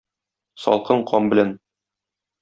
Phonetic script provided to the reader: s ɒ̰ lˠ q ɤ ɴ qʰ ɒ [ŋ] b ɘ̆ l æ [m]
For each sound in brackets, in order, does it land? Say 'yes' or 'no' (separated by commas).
no, no